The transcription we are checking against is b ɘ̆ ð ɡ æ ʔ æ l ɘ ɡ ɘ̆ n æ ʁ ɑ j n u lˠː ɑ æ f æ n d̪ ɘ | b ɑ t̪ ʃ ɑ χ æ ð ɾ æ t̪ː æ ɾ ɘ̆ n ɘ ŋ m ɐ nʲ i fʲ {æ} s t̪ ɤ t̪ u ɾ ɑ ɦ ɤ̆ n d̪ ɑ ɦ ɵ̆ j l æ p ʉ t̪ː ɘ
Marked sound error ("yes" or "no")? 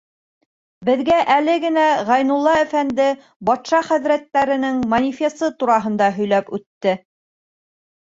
yes